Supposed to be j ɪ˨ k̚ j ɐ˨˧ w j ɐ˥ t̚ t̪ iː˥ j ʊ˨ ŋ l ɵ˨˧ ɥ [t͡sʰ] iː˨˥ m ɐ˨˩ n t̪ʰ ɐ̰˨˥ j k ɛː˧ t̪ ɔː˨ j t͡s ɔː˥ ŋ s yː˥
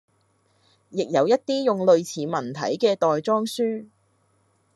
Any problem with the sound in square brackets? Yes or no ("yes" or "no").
no